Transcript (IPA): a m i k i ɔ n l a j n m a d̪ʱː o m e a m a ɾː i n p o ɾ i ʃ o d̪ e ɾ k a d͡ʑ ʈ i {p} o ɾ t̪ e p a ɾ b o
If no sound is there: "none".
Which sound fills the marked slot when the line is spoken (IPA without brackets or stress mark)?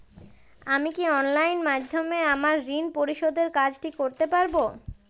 k